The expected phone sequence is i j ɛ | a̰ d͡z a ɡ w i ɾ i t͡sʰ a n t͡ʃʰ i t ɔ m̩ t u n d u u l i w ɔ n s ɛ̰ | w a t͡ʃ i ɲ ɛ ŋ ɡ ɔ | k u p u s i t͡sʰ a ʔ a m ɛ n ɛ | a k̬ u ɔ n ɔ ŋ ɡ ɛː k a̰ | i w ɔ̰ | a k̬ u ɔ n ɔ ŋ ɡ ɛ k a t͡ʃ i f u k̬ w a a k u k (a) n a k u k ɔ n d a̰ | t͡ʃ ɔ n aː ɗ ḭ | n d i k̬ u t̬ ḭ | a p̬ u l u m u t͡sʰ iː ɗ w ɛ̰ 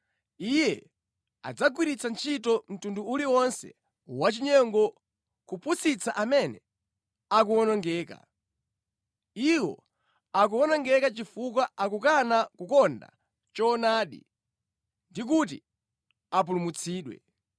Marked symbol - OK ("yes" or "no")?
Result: yes